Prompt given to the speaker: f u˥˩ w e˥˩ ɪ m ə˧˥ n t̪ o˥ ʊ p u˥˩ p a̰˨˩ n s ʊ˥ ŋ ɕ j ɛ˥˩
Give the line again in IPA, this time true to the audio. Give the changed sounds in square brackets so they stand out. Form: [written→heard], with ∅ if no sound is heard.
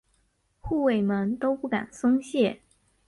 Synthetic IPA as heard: [f→x] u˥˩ w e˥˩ ɪ m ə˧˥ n t̪ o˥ ʊ p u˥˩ [p→k] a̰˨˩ n s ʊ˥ ŋ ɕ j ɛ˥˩